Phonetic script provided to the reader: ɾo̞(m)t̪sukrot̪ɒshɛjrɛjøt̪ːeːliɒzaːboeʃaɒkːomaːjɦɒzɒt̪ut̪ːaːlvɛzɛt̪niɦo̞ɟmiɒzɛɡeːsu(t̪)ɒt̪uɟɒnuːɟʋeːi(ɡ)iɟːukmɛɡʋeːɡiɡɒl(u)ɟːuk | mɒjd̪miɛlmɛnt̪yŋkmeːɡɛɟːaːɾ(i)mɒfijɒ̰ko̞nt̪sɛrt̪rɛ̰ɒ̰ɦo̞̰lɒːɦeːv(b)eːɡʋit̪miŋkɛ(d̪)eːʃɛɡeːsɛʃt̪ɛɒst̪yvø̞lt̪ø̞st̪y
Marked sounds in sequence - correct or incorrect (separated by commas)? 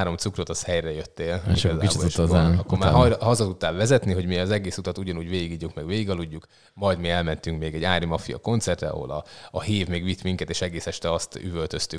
correct, correct, correct, correct, correct, incorrect, incorrect